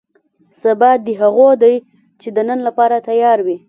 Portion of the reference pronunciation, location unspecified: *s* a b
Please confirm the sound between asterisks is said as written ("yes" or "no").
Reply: yes